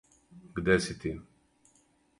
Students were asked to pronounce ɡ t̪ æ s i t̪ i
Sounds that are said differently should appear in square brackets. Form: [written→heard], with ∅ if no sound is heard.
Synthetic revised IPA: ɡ [t̪→d̪] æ s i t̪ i